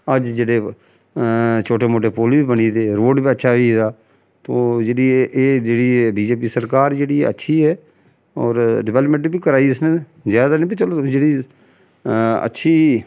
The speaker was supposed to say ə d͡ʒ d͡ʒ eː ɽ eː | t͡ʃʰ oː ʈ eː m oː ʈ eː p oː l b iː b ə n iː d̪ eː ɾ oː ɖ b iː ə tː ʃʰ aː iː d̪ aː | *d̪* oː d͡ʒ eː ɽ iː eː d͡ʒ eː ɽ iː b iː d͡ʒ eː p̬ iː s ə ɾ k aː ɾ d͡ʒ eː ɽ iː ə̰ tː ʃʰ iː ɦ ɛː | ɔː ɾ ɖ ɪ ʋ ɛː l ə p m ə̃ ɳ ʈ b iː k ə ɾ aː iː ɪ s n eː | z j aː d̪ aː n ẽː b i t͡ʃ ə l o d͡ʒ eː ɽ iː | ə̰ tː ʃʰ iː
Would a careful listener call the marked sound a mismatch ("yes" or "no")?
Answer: yes